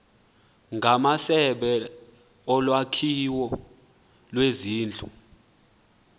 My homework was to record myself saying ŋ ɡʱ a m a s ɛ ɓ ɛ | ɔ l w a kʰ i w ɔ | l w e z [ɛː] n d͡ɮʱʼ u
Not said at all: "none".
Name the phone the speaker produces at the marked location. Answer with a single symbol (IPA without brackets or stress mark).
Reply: iː